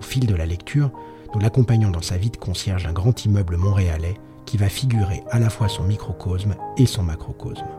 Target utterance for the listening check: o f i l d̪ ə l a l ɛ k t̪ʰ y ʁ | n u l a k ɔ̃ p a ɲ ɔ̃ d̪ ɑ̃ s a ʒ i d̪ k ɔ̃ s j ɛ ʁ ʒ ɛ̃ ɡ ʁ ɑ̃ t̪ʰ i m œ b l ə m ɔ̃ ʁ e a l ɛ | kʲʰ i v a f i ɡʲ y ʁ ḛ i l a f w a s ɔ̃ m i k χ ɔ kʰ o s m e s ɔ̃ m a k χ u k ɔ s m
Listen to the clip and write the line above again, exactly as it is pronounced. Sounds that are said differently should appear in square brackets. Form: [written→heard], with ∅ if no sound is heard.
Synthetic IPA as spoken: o f i l d̪ ə l a l ɛ k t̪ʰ y ʁ | n u l a k ɔ̃ p a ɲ ɔ̃ d̪ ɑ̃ s a [ʒ→v] i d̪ k ɔ̃ s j ɛ ʁ ʒ ɛ̃ ɡ ʁ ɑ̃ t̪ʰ i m œ b l ə m ɔ̃ ʁ e a l ɛ | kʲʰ i v a f i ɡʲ y ʁ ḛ [i→a] l a f w a s ɔ̃ m i k χ ɔ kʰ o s m e s ɔ̃ m a k χ [u→ɔ] k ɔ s m